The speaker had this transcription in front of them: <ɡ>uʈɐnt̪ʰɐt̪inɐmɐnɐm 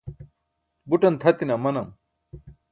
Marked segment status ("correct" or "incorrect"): incorrect